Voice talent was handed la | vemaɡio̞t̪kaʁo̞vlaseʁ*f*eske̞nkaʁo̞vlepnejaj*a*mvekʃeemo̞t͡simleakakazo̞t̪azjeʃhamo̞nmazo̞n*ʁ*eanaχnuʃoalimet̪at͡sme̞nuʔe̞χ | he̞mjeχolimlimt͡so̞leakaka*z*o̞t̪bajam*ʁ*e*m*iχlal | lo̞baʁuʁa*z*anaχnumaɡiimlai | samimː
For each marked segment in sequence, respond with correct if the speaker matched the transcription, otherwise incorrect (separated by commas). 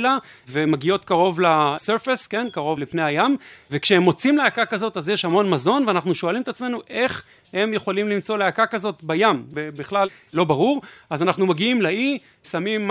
correct, correct, incorrect, correct, incorrect, incorrect, correct